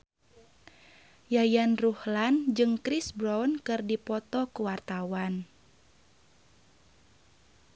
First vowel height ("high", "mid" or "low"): low